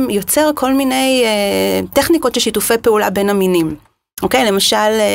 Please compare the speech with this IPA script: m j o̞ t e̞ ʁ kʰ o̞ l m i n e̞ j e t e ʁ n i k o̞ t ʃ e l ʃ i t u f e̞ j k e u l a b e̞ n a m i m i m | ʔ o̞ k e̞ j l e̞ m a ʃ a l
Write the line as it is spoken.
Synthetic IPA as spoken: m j o̞ t͡s e̞ ʁ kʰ o̞ l m i n e̞ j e t e χ n i k o̞ t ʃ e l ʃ i t u f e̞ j p e u l a b e̞ n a m i n i m | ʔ o̞ k e̞ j l e̞ m a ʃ a l